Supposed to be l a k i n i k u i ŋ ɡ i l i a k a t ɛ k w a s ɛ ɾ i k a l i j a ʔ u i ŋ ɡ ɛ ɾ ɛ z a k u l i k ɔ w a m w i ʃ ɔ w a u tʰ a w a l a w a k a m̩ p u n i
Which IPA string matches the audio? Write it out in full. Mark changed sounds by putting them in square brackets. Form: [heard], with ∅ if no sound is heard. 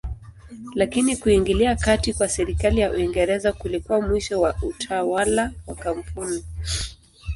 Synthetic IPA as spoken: l a k i n i k u i ŋ ɡ i l i a k a t [i] k w a s ɛ ɾ i k a l i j a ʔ u i ŋ ɡ ɛ ɾ ɛ z a k u l i k [u] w a m w i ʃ ɔ w a u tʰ a w a l a w a k a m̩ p u n i